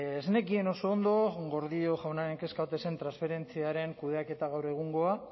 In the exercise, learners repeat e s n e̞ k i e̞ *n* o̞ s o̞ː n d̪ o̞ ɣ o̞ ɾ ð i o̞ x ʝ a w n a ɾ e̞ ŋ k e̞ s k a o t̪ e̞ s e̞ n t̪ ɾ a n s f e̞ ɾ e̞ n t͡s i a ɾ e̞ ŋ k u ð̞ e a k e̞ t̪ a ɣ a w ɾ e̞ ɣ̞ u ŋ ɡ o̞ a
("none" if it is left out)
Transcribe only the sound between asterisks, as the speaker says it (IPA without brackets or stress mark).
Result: n